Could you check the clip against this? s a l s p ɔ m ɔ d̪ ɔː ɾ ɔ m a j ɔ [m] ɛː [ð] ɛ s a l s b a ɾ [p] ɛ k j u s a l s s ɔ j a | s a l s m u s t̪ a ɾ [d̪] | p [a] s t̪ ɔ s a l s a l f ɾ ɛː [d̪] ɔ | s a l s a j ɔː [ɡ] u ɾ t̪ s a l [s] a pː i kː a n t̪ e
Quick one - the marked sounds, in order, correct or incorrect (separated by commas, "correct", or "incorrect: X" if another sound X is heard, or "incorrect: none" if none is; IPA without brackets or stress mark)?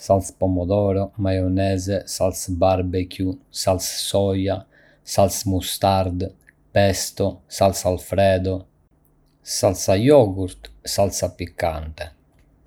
incorrect: n, incorrect: z, incorrect: b, correct, incorrect: ɛ, correct, correct, correct